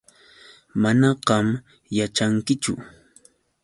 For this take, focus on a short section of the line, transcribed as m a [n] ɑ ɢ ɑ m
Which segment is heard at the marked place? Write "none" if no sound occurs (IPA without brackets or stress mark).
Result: n